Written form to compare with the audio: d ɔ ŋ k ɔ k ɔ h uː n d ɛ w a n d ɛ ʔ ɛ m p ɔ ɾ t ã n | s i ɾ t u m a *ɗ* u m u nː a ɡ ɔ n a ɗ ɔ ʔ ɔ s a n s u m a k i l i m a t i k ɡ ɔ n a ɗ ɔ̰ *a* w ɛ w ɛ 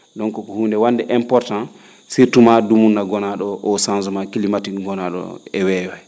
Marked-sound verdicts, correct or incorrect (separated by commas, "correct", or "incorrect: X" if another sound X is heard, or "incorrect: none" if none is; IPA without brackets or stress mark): incorrect: d, incorrect: ɛ